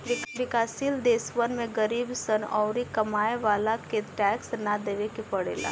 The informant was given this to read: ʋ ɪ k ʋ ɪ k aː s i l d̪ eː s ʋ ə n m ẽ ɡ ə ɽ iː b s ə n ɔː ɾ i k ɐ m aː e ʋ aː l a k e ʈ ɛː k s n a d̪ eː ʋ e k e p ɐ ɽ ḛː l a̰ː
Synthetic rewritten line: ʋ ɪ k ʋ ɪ k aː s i l d̪ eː s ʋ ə n m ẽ ɡ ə ɾ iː b s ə n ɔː ɾ i k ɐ m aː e ʋ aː l a k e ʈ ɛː k s n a d̪ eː ʋ e k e p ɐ ɽ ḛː l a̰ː